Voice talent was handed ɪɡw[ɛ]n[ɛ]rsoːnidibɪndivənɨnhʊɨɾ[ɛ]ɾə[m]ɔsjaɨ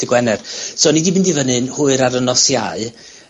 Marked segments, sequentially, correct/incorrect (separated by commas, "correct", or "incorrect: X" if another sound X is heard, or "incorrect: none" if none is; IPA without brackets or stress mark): correct, correct, incorrect: a, incorrect: n